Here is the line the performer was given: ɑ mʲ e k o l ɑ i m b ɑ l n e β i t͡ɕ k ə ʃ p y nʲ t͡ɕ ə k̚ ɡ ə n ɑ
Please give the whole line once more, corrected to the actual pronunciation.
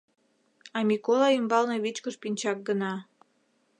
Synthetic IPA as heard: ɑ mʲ i k o l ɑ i m b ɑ l n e β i t͡ɕ k ə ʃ p i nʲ t͡ɕ ɑ k̚ ɡ ə n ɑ